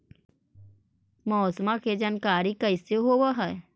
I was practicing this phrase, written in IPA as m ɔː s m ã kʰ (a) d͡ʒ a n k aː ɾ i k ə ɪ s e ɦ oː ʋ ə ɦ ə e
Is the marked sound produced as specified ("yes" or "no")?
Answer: no